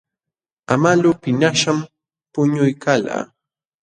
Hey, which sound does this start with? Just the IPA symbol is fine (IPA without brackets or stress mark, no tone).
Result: a